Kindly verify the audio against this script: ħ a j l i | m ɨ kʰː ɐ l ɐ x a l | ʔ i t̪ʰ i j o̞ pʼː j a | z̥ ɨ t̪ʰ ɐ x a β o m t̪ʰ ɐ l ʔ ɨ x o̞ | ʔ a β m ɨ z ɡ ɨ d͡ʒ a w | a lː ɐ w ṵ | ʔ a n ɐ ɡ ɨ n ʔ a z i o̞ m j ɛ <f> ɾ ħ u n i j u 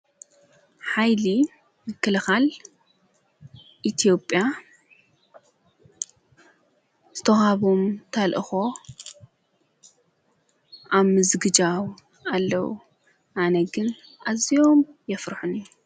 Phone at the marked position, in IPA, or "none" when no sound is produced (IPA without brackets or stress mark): f